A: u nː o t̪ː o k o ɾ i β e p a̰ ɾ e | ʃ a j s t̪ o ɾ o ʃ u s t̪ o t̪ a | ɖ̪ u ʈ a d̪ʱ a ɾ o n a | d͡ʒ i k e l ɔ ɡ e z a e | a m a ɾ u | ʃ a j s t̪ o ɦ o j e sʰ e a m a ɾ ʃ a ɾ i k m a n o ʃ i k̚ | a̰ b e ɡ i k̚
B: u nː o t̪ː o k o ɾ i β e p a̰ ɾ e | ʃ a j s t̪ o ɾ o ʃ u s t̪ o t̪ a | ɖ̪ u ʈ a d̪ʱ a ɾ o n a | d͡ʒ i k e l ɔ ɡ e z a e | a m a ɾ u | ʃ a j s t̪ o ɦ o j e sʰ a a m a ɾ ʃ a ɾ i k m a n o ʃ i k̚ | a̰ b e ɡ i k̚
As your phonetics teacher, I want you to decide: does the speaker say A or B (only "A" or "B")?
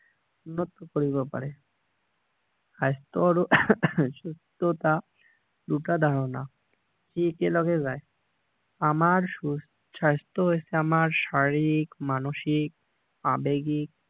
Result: A